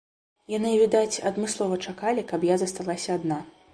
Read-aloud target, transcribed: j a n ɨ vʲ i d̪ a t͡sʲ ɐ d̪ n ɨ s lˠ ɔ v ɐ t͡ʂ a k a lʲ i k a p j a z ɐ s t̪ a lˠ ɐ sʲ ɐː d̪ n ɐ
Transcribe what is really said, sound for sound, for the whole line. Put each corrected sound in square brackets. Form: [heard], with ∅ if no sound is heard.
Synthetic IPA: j a n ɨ vʲ i d̪ a t͡sʲ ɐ d̪ [m] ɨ s lˠ ɔ v ɐ t͡ʂ a k a lʲ i k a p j a z ɐ s t̪ a lˠ [a] sʲ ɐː d̪ n [a]